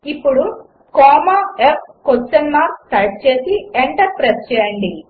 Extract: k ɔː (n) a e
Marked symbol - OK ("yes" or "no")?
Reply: no